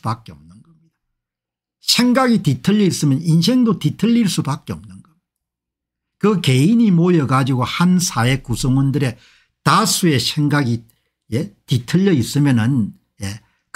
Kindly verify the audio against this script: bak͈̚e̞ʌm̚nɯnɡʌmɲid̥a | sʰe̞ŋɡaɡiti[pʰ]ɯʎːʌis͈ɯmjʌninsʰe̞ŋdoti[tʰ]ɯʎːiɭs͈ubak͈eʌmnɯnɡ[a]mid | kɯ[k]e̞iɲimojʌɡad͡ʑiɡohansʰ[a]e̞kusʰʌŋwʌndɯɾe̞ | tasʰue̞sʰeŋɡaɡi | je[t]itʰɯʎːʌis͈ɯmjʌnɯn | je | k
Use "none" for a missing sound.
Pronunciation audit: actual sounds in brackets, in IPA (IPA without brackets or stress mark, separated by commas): tʰ, tʰ, ʌ, k, a, t